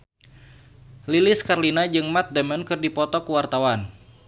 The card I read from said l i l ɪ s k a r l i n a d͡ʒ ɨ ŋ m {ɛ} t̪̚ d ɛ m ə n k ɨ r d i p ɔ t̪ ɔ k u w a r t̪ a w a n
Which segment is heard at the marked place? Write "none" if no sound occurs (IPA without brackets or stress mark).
a